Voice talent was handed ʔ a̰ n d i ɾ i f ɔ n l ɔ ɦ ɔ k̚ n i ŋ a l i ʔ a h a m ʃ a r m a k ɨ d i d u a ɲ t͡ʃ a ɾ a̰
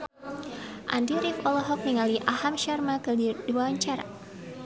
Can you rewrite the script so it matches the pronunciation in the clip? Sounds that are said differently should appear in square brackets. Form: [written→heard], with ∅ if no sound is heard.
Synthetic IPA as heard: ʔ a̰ n d i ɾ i f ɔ [n→∅] l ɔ ɦ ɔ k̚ n i ŋ a l i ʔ a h a m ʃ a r m a k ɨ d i d u a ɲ t͡ʃ a ɾ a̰